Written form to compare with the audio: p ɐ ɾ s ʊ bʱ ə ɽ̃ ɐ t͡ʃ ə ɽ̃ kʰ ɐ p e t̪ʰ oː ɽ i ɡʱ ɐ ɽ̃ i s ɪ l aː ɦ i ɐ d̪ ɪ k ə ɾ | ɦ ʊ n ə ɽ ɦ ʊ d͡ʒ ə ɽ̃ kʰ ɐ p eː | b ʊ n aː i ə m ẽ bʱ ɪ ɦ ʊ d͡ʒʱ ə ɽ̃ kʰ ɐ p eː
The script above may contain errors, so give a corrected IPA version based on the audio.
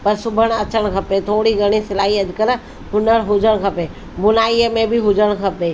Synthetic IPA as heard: p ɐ ɾ s ʊ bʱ ə ɽ̃ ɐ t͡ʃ ə ɽ̃ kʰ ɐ p e t̪ʰ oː ɽ i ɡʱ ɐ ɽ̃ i s ɪ l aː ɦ i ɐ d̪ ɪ k ə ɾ | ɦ ʊ n ə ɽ ɦ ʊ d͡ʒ ə ɽ̃ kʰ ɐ p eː | b ʊ n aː i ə m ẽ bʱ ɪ ɦ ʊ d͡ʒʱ ə ɽ̃ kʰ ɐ p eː